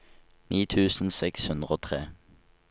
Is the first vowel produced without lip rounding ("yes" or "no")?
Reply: yes